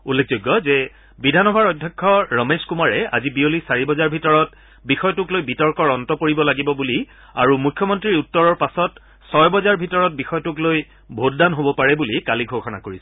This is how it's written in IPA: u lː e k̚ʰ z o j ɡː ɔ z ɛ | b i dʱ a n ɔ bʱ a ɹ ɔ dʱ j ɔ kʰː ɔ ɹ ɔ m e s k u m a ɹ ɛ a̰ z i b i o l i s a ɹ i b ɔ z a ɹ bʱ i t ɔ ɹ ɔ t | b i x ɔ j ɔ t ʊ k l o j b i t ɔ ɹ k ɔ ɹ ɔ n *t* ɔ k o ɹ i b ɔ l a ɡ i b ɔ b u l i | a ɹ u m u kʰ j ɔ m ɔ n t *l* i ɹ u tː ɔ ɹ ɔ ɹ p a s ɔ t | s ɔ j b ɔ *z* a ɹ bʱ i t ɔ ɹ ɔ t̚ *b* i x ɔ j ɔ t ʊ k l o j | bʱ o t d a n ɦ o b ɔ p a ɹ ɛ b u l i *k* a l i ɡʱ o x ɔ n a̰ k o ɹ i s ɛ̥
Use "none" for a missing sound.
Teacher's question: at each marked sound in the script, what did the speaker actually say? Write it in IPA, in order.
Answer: t, ɹ, z, b, k

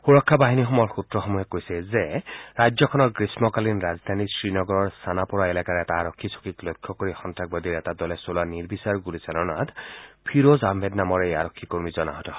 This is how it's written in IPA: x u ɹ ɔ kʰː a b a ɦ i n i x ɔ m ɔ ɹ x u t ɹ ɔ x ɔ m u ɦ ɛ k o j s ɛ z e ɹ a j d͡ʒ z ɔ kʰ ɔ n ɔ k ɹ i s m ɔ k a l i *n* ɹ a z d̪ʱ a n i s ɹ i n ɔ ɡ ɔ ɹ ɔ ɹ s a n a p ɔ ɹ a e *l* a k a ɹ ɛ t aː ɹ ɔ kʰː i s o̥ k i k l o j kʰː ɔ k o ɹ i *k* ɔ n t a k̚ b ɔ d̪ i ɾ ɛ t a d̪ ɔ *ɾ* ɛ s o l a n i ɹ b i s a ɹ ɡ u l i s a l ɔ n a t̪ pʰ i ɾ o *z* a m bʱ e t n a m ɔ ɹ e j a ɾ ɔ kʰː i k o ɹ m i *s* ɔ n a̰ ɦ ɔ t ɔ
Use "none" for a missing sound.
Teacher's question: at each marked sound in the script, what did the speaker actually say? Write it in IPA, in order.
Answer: n, l, x, l, z, z

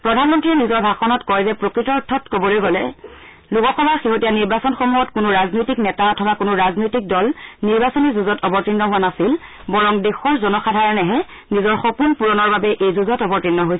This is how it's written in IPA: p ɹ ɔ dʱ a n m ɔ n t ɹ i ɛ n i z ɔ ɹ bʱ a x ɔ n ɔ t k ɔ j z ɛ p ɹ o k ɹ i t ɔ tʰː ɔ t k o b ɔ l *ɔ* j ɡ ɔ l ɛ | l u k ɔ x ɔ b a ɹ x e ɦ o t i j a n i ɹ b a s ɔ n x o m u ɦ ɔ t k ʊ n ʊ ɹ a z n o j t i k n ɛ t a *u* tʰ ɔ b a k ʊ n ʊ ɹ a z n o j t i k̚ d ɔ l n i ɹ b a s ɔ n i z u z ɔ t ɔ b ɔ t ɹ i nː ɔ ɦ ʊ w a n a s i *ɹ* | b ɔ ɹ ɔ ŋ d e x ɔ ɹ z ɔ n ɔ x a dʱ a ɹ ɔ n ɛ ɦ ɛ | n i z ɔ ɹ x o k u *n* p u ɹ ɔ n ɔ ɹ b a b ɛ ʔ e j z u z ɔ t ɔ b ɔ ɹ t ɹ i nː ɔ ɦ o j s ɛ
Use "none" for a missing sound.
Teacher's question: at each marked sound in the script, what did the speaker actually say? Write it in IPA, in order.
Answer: o, ɔ, l, n

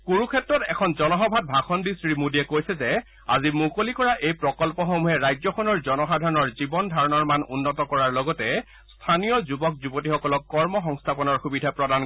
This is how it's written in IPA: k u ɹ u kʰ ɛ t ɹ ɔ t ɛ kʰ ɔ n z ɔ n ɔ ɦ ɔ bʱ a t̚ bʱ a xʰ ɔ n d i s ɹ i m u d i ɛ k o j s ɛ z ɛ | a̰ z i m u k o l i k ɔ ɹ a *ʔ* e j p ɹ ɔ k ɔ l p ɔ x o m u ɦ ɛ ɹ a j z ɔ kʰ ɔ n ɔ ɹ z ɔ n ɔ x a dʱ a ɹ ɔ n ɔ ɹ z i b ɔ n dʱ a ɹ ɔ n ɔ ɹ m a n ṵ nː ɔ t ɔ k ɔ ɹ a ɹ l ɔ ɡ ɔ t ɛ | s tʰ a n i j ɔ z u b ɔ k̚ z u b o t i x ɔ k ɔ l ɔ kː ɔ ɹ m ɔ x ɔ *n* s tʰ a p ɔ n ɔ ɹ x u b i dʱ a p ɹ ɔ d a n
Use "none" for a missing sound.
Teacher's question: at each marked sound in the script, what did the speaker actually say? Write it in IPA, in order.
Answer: ʔ, ŋ

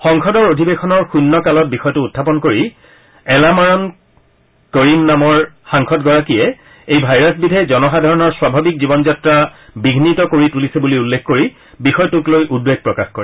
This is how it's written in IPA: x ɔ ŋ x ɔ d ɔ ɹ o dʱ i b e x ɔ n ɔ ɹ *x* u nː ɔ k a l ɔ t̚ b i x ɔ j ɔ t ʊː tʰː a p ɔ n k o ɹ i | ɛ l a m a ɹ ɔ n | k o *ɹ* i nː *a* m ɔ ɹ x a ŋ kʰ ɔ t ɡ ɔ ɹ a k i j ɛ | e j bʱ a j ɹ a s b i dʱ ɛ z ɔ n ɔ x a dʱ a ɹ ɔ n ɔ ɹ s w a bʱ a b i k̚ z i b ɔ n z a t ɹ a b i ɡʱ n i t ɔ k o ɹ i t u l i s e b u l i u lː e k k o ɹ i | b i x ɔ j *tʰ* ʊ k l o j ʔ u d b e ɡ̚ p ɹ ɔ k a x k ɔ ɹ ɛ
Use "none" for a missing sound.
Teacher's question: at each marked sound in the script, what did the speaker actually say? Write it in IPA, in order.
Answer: x, ɹ, a, t

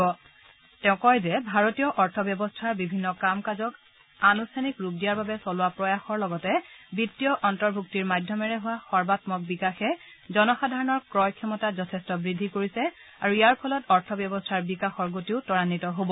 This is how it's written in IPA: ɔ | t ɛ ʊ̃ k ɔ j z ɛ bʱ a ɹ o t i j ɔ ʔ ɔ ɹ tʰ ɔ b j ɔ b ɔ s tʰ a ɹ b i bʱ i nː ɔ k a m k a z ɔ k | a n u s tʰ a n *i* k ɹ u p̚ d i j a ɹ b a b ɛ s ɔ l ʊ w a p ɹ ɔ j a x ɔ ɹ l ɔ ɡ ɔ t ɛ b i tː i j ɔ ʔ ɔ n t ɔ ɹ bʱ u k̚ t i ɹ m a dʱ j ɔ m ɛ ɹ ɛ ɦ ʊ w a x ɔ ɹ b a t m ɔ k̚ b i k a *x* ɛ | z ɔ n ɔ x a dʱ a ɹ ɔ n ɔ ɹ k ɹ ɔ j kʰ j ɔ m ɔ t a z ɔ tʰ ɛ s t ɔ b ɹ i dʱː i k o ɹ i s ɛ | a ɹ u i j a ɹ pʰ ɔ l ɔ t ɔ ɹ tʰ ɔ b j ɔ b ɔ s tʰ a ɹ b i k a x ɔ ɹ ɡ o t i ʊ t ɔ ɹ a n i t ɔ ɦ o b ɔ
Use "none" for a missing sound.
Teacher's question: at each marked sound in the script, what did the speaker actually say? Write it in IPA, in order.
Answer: i, x

